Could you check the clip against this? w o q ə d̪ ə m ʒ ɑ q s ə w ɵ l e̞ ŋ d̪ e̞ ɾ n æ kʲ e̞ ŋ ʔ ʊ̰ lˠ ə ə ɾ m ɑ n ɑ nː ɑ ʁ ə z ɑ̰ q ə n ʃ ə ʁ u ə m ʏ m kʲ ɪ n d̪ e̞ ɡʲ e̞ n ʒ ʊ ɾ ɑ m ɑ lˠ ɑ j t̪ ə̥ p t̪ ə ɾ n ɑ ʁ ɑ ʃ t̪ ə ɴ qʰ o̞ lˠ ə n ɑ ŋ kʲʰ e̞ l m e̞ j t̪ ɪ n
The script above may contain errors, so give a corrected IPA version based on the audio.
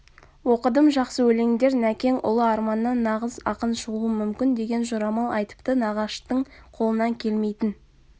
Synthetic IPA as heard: w o q ə d̪ ə m ʒ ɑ q s ə w ɵ l e̞ ŋ d̪ e̞ ɾ n æ kʲ e̞ ŋ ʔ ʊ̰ lˠ ə ɑ ɾ m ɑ nː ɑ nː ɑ ʁ ə z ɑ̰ q ə n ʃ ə ʁ u ə m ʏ m kʲ ɪ n d̪ e̞ ɡʲ e̞ n ʒ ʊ ɾ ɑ m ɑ lˠ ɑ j t̪ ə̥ p t̪ ə n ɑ ʁ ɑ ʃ t̪ ə ɴ qʰ o̞ lˠ ə n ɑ ŋ kʲʰ e̞ l m e̞ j t̪ ɪ n